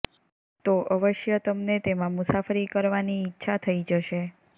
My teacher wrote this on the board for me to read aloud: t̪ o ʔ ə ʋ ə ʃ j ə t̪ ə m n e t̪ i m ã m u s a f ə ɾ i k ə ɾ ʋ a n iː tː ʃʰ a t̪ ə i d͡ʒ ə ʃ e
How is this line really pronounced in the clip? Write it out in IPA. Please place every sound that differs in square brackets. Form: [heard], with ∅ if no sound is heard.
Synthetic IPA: t̪ o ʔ ə ʋ ə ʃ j ə t̪ ə m n e t̪ [e] m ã m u s a f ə ɾ i k ə ɾ ʋ a n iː tː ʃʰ a [t̪ʰ] ə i d͡ʒ ə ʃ e